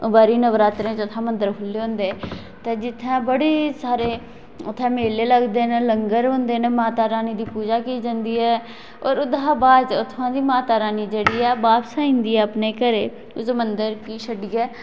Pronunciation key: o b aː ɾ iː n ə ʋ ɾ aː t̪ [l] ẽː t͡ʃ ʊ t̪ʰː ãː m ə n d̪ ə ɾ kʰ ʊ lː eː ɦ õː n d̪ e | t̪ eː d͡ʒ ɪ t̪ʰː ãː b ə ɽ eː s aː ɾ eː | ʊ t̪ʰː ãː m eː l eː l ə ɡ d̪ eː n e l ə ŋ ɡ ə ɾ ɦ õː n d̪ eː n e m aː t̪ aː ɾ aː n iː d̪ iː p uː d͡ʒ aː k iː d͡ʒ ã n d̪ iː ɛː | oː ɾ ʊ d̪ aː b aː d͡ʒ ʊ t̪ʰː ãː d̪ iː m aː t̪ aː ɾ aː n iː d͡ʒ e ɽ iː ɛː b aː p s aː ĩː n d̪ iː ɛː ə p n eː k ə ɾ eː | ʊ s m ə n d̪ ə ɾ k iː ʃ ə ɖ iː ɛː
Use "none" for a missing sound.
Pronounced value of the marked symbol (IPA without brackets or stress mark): ɾ